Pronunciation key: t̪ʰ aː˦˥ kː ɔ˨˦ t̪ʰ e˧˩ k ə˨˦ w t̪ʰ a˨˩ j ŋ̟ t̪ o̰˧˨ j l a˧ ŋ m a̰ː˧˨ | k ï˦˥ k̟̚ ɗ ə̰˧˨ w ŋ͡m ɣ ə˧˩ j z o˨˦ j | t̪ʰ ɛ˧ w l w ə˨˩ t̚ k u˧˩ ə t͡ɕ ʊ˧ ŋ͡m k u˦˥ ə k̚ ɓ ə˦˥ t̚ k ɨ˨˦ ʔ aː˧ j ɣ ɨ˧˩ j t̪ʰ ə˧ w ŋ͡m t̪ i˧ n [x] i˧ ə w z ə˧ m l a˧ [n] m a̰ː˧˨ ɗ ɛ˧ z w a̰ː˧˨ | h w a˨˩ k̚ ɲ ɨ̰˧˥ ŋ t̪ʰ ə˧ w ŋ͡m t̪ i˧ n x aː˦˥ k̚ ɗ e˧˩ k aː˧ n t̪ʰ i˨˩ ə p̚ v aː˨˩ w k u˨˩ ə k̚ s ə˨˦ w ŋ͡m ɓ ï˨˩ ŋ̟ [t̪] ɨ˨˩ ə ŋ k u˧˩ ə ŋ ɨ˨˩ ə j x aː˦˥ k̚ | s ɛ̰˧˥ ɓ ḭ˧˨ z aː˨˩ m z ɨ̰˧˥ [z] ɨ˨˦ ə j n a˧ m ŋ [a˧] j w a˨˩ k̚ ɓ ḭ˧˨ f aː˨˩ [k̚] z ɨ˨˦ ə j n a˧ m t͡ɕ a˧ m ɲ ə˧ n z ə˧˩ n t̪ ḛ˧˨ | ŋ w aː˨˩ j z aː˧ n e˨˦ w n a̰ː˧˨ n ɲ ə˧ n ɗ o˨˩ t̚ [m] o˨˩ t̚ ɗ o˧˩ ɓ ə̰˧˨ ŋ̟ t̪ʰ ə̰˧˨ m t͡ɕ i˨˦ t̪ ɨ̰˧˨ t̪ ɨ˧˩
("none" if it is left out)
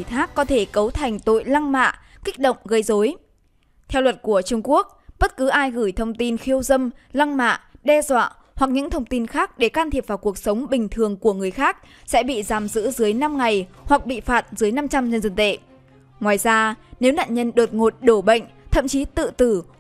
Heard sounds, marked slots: x, ŋ, t̪ʰ, z, a˨˩, t̚, ŋ

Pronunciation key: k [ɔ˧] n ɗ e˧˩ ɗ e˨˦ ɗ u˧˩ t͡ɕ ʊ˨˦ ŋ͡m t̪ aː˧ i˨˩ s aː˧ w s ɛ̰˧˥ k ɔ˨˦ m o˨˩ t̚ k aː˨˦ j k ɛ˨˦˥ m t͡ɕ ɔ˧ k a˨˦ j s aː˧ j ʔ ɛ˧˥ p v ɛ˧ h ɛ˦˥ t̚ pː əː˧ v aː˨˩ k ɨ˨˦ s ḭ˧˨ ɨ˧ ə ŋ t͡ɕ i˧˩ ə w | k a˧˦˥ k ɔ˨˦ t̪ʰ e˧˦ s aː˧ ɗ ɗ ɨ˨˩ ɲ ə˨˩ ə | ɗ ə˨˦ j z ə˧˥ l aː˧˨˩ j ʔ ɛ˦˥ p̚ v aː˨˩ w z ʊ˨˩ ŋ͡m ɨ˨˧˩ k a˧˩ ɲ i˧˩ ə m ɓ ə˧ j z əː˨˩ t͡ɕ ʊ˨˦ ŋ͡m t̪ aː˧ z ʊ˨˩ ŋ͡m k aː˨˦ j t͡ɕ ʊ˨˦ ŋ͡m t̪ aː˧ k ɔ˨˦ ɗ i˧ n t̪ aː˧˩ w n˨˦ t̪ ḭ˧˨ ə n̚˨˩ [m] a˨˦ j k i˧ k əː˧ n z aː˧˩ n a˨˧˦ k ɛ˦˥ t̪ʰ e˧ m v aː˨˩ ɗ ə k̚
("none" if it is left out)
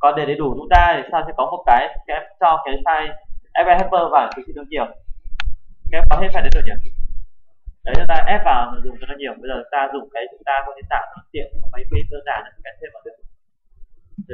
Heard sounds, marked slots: ɔ˨˩, m

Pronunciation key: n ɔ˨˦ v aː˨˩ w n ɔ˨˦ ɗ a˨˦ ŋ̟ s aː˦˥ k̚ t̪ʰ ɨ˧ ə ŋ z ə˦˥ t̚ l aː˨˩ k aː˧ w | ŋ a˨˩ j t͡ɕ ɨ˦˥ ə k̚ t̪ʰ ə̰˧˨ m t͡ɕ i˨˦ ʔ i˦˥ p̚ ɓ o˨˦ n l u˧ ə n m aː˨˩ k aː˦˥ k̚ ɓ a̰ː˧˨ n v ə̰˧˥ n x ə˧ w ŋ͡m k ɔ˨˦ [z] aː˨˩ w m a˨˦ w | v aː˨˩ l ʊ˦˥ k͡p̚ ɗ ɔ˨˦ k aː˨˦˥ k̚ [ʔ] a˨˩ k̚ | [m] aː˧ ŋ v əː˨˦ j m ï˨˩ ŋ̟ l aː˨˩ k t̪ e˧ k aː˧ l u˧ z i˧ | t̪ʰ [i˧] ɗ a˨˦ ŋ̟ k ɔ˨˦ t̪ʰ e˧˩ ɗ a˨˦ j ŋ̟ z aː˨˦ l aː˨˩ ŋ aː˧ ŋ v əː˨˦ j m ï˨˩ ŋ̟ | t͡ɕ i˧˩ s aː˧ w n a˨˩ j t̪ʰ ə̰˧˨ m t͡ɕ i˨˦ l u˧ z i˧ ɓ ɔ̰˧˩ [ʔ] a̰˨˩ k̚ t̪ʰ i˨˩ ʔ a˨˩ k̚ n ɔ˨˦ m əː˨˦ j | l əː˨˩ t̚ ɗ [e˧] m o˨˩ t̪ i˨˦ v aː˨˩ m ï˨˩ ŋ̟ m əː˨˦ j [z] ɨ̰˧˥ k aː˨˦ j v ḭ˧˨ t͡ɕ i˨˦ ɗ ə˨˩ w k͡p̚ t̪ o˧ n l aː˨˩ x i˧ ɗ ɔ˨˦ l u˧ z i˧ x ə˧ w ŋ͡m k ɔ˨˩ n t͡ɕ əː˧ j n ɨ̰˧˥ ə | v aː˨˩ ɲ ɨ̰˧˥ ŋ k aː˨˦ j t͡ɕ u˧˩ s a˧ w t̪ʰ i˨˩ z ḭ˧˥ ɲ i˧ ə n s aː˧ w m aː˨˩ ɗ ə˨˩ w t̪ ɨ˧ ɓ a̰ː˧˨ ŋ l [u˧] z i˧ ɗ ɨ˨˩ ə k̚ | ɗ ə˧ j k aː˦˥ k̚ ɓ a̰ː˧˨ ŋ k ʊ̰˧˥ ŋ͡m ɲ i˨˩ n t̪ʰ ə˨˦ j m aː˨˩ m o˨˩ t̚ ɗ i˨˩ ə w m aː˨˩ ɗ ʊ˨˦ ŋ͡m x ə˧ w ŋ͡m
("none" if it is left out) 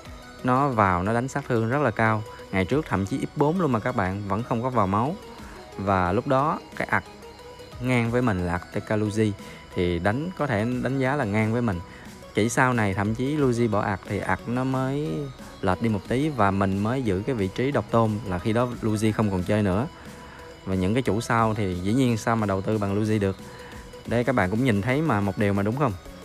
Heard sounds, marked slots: v, ʔ, ŋ, i˨˩, ʔ, i˧, z, u˧

